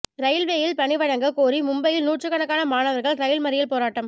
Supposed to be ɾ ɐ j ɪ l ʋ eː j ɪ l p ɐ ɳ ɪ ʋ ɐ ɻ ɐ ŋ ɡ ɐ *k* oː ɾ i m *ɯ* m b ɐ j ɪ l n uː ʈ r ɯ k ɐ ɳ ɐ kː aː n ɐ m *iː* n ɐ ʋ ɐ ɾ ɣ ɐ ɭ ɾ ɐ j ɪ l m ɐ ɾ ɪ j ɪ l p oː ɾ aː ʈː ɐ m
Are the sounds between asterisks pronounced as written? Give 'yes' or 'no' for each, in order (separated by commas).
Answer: yes, no, no